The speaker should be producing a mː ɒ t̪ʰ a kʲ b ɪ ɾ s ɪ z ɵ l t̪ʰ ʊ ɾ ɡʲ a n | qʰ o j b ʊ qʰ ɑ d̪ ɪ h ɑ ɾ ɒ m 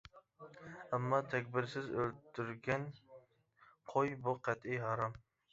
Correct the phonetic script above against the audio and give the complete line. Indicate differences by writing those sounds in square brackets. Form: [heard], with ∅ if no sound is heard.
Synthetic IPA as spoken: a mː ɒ t̪ʰ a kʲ b ɪ ɾ s ɪ z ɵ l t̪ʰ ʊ ɾ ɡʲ a n | qʰ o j b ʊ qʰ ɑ [t̪] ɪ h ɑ ɾ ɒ m